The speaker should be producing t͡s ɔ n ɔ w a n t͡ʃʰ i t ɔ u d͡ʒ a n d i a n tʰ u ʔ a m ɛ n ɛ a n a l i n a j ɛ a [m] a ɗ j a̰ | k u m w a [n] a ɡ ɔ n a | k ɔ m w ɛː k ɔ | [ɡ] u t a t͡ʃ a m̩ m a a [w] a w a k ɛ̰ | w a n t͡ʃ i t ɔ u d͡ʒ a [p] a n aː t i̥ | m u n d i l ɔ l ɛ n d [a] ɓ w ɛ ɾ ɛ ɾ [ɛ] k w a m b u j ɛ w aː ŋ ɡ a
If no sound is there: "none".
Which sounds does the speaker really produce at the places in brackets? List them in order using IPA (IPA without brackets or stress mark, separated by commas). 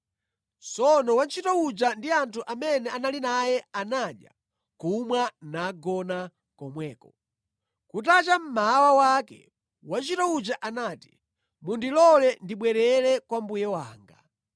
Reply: n, n, k, w, ʔ, i, ɛ